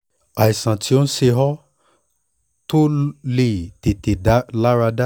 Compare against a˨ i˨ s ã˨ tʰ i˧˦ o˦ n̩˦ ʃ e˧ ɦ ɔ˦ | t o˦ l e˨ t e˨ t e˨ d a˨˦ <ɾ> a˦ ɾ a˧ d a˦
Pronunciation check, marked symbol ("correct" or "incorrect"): incorrect